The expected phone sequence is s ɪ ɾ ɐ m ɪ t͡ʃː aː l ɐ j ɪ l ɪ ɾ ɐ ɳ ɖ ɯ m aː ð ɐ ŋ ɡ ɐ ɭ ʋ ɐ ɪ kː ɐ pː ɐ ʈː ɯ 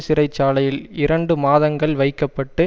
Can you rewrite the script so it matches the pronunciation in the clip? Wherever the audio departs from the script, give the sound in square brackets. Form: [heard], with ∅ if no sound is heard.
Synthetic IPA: s ɪ ɾ ɐ [∅] ɪ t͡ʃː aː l ɐ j ɪ l ɪ ɾ ɐ ɳ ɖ ɯ m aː ð ɐ ŋ ɡ ɐ ɭ ʋ ɐ ɪ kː ɐ pː ɐ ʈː ɯ